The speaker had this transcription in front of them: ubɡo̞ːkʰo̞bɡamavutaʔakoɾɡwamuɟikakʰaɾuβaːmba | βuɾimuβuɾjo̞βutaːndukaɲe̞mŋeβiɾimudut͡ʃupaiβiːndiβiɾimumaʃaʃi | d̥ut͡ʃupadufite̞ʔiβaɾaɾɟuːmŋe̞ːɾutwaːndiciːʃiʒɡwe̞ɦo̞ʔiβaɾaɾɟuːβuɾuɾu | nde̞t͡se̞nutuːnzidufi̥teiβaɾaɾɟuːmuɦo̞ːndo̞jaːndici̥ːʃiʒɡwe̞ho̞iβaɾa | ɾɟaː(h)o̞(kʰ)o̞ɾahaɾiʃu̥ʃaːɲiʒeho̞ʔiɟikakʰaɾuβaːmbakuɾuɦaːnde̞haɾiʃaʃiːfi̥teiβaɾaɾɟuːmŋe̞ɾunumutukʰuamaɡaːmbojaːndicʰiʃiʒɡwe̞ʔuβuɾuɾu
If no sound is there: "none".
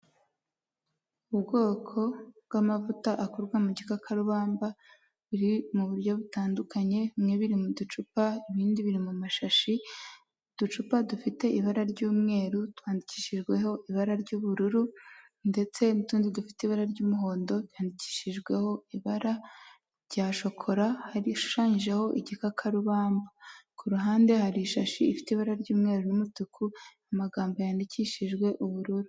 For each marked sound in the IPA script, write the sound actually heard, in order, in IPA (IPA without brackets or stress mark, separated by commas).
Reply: ʃ, kʰ